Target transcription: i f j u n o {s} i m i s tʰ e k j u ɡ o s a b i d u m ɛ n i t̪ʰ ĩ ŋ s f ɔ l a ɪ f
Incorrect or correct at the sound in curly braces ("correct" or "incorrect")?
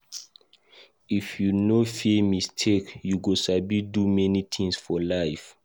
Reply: incorrect